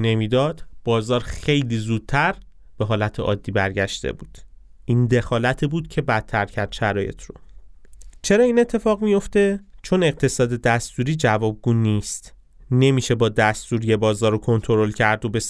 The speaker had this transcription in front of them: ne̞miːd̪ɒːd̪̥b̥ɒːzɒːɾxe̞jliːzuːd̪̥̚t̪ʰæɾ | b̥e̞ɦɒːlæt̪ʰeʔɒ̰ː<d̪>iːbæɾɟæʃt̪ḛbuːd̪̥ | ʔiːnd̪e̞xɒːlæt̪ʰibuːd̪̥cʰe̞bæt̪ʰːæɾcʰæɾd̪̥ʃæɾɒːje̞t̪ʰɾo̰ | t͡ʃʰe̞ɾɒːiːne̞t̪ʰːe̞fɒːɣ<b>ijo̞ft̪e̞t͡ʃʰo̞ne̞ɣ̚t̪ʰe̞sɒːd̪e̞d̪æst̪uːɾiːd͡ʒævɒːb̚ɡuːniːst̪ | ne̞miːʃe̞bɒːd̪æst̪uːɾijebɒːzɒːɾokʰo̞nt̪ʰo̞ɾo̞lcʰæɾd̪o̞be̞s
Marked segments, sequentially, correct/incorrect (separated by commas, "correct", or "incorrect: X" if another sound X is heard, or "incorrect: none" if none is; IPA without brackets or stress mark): incorrect: d̪ː, incorrect: m